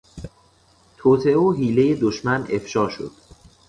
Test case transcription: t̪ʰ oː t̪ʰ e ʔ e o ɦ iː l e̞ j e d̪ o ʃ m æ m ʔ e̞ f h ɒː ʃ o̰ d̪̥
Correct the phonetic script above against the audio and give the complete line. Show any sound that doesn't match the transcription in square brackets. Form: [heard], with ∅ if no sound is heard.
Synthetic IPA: t̪ʰ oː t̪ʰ e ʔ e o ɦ iː l e̞ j e d̪ o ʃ m æ [n] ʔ e̞ f [ʃ] ɒː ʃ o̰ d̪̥